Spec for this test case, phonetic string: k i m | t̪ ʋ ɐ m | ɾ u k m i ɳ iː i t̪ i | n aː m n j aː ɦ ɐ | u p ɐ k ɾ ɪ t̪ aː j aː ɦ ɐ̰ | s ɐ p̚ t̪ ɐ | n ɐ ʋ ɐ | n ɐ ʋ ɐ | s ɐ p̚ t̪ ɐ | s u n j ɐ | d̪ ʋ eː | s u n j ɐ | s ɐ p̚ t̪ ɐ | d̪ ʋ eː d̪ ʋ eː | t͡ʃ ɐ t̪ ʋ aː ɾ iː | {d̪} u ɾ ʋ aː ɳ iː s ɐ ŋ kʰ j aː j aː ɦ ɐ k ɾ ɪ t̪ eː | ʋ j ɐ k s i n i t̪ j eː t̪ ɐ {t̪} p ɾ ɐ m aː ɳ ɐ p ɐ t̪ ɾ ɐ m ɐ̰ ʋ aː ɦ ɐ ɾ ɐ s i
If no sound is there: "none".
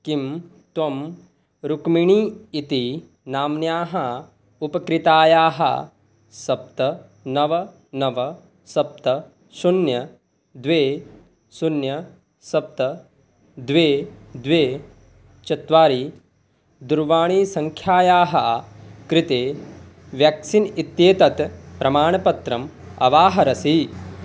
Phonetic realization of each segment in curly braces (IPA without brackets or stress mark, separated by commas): d̪, t̪